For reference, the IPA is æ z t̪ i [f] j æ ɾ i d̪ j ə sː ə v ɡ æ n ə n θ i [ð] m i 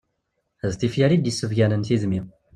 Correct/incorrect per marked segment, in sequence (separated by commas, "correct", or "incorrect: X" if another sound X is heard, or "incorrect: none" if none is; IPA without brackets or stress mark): correct, correct